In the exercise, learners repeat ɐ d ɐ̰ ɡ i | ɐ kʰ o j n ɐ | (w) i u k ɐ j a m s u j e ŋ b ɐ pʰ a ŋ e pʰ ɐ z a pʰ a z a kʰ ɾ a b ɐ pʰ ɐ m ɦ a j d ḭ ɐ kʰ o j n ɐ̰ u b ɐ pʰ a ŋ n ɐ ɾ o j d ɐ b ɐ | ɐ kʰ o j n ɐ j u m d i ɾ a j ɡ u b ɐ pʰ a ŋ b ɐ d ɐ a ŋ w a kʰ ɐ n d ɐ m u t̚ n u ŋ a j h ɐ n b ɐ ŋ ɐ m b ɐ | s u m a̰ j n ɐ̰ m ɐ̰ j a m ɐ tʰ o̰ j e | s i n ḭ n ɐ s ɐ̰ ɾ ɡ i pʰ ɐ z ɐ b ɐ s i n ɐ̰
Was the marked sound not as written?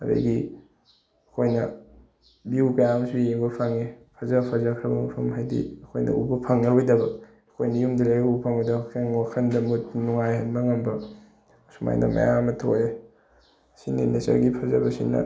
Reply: yes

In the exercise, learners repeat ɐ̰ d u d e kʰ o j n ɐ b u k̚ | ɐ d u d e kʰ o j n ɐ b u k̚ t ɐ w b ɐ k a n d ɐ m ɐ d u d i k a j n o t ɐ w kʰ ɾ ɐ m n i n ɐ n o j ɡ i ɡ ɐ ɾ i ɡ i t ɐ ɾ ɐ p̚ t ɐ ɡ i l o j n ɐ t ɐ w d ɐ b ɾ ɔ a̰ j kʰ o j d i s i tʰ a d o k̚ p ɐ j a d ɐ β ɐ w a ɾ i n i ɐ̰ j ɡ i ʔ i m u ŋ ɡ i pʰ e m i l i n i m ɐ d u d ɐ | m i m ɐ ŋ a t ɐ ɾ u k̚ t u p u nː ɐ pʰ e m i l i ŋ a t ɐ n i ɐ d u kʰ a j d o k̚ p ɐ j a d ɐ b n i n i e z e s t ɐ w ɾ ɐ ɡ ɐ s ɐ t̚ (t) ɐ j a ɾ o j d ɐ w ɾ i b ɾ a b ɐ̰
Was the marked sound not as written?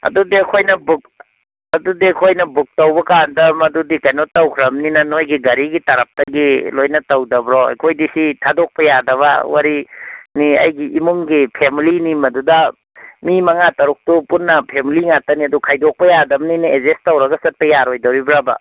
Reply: yes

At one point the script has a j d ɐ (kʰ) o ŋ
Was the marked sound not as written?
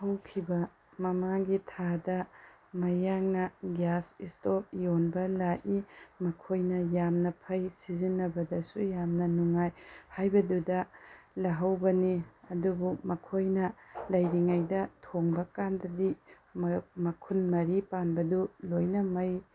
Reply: yes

